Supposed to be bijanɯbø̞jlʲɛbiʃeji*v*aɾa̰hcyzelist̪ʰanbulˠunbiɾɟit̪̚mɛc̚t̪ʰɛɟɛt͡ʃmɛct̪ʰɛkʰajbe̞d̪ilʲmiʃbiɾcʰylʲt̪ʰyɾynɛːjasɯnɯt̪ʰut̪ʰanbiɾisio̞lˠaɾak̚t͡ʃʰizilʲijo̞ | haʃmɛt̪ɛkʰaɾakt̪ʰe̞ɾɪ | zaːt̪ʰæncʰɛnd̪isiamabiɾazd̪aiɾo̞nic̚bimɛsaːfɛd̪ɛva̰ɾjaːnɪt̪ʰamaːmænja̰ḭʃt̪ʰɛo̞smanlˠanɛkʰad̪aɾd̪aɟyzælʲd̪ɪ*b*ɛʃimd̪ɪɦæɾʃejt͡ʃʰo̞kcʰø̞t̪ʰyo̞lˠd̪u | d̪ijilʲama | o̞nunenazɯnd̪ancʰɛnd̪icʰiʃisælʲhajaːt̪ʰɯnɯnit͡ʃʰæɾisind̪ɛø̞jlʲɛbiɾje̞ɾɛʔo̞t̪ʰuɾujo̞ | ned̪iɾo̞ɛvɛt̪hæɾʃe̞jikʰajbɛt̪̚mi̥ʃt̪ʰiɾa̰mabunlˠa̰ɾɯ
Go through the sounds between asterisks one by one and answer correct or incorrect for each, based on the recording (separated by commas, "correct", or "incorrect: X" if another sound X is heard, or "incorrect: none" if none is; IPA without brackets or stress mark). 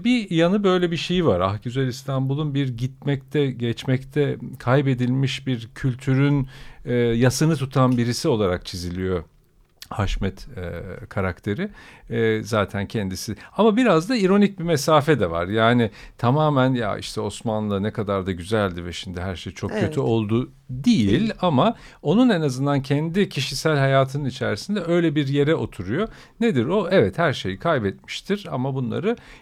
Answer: correct, incorrect: v